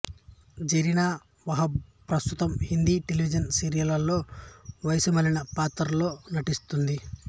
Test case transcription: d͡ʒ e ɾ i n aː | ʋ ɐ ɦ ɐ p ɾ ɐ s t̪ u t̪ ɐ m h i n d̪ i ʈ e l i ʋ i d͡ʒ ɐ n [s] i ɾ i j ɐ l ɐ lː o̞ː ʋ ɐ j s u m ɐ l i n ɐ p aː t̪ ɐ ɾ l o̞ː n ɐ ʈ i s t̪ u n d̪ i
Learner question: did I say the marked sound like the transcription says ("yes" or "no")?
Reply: yes